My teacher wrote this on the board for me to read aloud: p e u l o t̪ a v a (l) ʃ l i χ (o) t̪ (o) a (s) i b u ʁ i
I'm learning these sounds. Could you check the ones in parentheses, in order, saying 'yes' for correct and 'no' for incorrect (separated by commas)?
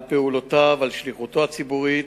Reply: yes, no, yes, no